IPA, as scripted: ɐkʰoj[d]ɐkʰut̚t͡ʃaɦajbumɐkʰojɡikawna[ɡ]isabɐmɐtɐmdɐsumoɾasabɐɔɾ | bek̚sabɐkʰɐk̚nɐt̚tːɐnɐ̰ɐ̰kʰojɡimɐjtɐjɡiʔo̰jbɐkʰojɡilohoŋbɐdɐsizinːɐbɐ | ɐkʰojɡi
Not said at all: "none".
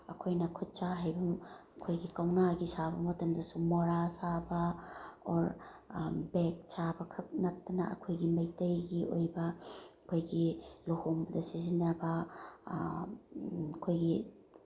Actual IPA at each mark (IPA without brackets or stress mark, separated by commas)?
n, ɡ